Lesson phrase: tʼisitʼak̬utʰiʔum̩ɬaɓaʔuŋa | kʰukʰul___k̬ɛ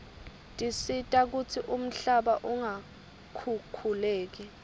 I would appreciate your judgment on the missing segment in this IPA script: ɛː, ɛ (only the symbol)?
ɛː